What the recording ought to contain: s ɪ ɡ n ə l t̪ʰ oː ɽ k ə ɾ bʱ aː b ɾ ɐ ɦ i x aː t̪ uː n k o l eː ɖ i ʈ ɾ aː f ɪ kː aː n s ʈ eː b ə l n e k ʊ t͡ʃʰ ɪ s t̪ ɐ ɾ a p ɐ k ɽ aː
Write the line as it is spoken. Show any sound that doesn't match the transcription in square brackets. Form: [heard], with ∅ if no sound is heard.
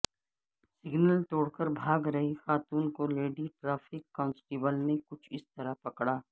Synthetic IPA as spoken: s ɪ ɡ n ə l [t̪] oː ɽ k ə ɾ bʱ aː [ɡ] ɾ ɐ ɦ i x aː t̪ uː n k o l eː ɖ i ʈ ɾ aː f ɪ kː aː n s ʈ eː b ə l n e k ʊ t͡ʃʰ ɪ s t̪ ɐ ɾ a p ɐ k ɽ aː